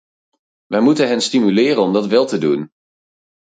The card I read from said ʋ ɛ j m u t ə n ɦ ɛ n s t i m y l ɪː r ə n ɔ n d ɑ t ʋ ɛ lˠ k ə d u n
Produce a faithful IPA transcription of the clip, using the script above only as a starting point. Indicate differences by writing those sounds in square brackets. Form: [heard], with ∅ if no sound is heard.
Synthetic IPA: ʋ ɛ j m u t ə n ɦ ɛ n s t i m y l ɪː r ə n ɔ [m] d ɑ t ʋ ɛ lˠ [t] ə d u n